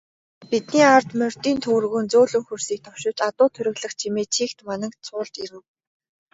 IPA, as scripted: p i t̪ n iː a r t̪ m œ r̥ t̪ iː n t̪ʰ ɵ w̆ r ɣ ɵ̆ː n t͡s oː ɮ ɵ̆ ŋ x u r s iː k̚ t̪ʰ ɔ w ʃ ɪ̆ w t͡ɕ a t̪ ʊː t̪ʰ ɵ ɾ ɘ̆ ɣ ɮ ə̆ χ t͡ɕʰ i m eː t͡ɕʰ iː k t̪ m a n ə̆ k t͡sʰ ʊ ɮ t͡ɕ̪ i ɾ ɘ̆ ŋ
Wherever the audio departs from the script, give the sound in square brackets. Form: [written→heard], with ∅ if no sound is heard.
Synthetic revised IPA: p i t̪ n iː a r t̪ m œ r̥ t̪ iː n t̪ʰ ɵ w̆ r ɣ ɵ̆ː n t͡s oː ɮ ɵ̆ ŋ x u r s iː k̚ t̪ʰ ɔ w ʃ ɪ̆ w t͡ɕ a t̪ ʊː t̪ʰ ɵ ɾ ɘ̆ ɣ ɮ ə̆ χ t͡ɕʰ i m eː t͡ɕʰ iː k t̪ m a n ə̆ k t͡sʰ [ʊ→ʊː] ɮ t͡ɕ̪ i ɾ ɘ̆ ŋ